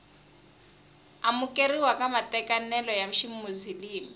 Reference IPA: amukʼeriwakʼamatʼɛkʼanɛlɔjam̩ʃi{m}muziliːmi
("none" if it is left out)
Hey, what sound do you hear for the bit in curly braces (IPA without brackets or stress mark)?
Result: m